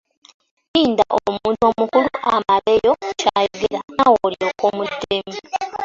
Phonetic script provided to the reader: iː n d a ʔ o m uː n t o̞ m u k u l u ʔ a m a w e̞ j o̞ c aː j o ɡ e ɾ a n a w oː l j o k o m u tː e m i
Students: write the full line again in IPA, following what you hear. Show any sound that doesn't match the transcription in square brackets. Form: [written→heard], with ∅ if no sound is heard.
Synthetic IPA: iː n d a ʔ o m uː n t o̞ m u k u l u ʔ a m a [w→β] e̞ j o̞ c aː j o ɡ e ɾ a n a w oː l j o k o m u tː e m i